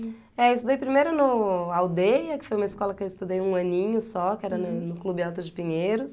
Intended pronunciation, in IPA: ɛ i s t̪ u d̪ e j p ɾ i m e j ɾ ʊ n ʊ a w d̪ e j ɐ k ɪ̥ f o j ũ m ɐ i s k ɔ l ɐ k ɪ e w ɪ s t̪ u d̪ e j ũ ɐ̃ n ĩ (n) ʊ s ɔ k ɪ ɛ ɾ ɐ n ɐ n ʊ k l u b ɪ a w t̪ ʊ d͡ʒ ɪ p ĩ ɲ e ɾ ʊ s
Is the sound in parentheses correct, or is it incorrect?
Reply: incorrect: ɲ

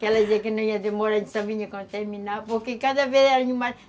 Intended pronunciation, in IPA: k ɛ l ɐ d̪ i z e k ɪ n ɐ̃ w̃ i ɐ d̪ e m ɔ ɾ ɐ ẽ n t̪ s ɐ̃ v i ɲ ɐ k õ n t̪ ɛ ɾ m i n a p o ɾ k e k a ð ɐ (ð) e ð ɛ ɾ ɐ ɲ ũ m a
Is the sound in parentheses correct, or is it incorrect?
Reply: incorrect: v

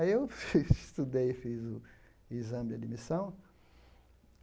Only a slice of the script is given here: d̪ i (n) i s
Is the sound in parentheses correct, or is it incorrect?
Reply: incorrect: m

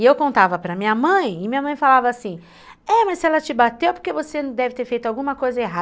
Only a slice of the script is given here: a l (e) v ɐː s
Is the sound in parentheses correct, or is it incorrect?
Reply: incorrect: a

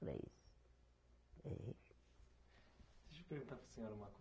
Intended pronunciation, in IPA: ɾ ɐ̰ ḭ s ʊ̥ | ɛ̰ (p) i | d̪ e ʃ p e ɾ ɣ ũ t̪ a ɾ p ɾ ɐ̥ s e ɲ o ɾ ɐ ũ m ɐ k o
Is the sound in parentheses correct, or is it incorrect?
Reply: incorrect: none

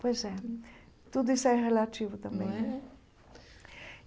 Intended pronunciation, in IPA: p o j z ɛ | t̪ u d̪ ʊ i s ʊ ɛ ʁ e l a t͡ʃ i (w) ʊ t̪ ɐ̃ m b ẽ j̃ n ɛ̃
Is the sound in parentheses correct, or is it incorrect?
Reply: incorrect: v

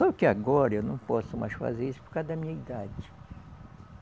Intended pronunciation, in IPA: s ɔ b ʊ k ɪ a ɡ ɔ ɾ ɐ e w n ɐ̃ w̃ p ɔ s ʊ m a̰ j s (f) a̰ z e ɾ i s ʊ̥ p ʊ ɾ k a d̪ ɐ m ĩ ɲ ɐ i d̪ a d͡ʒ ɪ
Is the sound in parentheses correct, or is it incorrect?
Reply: correct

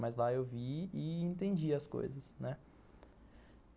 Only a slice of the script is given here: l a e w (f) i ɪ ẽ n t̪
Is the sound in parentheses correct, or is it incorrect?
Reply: incorrect: v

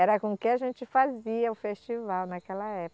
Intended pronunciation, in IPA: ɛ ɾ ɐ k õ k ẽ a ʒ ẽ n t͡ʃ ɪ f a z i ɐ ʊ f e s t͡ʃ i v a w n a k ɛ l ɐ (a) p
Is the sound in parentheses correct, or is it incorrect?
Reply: incorrect: ɛ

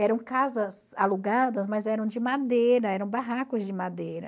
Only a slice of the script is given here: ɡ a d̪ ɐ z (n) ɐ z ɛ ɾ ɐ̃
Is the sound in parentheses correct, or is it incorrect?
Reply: incorrect: m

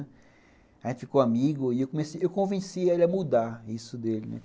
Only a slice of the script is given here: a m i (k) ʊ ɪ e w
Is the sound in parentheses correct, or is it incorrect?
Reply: incorrect: ɡ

